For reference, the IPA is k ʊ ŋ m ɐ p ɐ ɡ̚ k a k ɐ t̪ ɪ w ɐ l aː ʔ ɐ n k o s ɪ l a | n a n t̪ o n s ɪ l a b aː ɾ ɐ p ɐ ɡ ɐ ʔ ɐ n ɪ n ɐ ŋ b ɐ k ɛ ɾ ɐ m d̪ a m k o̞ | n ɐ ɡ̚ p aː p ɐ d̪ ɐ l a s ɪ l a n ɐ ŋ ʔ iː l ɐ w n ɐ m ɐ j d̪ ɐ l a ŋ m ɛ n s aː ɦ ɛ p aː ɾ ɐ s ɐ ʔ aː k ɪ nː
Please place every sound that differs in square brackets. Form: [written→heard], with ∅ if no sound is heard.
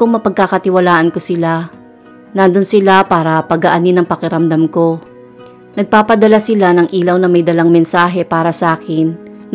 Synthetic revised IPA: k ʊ ŋ m ɐ p ɐ ɡ̚ k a k ɐ t̪ ɪ w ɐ l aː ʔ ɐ n k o s ɪ l a | n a n [t̪→d̪] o n s ɪ l a [b→p] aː ɾ ɐ p ɐ ɡ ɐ ʔ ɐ n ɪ n ɐ ŋ [b→p] ɐ k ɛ ɾ ɐ m d̪ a m k o̞ | n ɐ ɡ̚ p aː p ɐ d̪ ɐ l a s ɪ l a n ɐ ŋ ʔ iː l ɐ w n ɐ m ɐ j d̪ ɐ l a ŋ m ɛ n s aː ɦ ɛ p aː ɾ ɐ s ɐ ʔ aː k ɪ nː